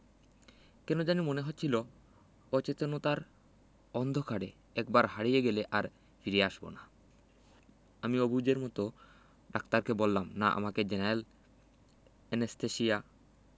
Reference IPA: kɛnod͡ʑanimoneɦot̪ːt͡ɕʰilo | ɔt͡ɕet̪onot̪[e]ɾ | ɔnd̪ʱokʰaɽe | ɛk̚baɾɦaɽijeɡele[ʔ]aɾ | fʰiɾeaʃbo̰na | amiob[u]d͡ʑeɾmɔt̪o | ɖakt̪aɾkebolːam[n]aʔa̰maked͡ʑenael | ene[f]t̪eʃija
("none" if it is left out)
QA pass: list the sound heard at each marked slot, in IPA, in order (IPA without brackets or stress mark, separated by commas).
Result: a, ʔ, u, n, s